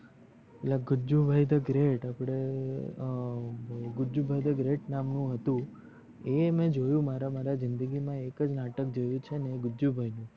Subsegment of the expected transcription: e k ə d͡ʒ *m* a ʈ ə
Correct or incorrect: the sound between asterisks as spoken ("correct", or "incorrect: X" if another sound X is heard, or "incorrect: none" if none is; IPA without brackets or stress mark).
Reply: incorrect: n